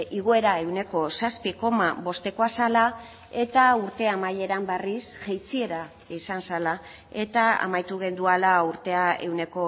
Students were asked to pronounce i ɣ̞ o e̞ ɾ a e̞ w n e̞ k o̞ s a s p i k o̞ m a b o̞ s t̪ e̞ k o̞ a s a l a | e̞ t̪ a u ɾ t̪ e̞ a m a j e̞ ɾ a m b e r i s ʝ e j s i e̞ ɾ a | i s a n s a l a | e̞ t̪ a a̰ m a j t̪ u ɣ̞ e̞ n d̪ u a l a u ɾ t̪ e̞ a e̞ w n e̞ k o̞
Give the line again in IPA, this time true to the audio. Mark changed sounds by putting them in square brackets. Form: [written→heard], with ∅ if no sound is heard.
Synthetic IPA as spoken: i ɣ̞ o e̞ ɾ a e̞ w n e̞ k o̞ s a s p i k o̞ m a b o̞ s t̪ e̞ k o̞ a s a l a | e̞ t̪ a u ɾ t̪ e̞ a m a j e̞ ɾ a m b e r i s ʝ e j [s→t͡s] i e̞ ɾ a | i s a n s a l a | e̞ t̪ a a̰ m a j t̪ u ɣ̞ e̞ n d̪ u a l a u ɾ t̪ e̞ a e̞ w n e̞ k o̞